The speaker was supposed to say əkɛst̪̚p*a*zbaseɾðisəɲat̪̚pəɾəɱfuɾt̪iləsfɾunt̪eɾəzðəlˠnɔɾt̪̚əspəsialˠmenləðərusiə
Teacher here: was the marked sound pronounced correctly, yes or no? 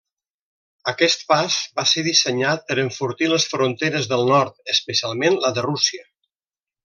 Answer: yes